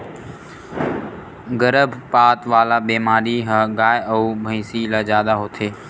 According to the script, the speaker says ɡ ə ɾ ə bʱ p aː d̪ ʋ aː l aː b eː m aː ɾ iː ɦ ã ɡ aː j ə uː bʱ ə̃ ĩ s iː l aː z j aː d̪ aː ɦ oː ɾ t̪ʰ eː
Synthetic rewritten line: ɡ ə ɾ ə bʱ p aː t̪ ʋ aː l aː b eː m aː ɾ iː ɦ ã ɡ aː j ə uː bʱ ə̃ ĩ s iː l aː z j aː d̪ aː ɦ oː t̪ʰ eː